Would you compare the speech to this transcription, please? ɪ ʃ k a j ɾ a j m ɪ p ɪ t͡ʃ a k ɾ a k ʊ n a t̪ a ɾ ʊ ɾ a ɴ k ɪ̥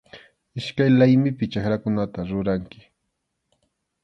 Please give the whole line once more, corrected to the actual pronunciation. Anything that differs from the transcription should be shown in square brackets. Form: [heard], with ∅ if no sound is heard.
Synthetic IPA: ɪ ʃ k a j [l] a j m ɪ p ɪ t͡ʃ a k ɾ a k ʊ n a t̪ a ɾ ʊ ɾ a [ŋ] k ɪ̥

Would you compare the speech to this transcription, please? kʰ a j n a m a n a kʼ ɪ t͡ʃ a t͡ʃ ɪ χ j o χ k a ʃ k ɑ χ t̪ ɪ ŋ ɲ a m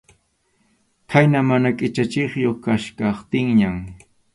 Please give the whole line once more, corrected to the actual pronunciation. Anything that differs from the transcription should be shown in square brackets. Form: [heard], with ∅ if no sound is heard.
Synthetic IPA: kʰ a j n a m a n a kʼ ɪ t͡ʃ a t͡ʃ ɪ χ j o χ k a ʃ k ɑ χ t̪ ɪ ŋ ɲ a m

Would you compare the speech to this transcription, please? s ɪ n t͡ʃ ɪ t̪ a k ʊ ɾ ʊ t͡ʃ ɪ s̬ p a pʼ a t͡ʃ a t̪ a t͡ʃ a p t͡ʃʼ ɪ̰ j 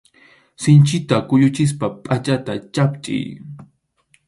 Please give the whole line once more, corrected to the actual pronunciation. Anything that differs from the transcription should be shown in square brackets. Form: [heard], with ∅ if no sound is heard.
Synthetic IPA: s ɪ n t͡ʃ ɪ t̪ a k ʊ [ʎ] ʊ t͡ʃ ɪ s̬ p a pʼ a t͡ʃ a t̪ a t͡ʃ a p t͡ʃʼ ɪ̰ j

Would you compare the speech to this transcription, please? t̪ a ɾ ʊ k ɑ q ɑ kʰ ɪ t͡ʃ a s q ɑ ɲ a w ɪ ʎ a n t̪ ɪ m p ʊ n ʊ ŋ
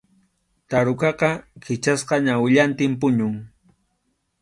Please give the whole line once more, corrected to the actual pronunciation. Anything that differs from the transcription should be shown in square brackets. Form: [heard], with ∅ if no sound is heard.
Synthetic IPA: t̪ a ɾ ʊ k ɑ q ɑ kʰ ɪ t͡ʃ a s q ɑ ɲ a w ɪ ʎ a n t̪ ɪ m p ʊ [ɲ] ʊ ŋ

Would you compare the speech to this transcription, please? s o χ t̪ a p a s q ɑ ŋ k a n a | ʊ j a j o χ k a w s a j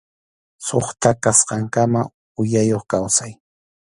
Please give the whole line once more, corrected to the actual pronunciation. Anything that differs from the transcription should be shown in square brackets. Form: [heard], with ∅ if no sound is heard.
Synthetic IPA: s o χ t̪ a [k] a s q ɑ ŋ k a [m] a | ʊ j a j o χ k a w s a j

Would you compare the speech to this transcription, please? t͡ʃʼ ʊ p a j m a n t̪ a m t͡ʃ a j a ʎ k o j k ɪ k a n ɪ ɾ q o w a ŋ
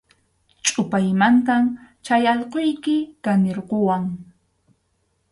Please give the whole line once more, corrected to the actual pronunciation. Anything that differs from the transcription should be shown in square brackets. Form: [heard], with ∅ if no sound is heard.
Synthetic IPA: t͡ʃʼ ʊ p a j m a n t̪ a m t͡ʃ a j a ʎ [q] o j k ɪ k a n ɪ ɾ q o w a ŋ

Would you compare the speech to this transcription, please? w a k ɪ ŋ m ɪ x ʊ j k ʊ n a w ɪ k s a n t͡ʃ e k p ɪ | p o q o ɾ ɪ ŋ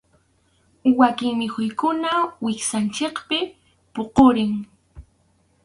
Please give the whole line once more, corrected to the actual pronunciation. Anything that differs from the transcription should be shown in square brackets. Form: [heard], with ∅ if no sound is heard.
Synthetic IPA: w a k ɪ ŋ m ɪ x ʊ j k ʊ n a w ɪ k s a n t͡ʃ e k p ɪ | p o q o ɾ ɪ ŋ

